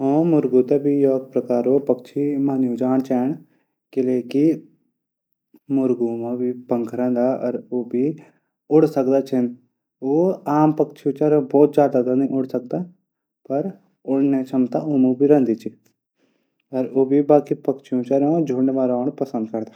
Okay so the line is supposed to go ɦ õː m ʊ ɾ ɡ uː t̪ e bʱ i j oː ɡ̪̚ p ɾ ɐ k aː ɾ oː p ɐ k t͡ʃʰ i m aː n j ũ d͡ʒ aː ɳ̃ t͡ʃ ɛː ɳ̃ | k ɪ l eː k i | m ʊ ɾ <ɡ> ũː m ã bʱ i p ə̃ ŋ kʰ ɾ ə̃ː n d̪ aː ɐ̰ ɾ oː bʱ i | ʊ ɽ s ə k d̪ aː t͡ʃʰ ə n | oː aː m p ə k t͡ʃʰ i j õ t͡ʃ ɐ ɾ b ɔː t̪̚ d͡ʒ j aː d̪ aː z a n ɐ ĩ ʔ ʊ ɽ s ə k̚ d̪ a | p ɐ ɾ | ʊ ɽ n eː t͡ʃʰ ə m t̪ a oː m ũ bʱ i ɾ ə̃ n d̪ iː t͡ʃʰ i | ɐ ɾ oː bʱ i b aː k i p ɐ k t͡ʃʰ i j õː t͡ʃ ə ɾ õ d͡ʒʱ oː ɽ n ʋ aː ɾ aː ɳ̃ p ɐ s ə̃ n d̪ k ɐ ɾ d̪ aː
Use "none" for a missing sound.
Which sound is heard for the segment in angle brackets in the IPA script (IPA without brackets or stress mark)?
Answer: ɡ